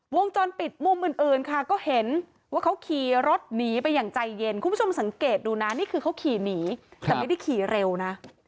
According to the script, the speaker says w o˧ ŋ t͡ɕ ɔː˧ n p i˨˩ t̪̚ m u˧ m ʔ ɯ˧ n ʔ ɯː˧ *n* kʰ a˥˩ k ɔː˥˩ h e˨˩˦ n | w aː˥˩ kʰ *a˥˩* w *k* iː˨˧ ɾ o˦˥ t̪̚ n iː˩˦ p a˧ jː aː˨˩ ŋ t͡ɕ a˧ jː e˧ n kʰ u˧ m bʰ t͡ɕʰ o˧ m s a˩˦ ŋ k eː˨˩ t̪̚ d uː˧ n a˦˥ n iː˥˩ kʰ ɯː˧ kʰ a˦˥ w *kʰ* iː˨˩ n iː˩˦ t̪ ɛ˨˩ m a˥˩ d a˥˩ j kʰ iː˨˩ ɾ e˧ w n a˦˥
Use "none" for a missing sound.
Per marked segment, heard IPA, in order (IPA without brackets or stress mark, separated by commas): n, a˦˥, kʰ, kʰ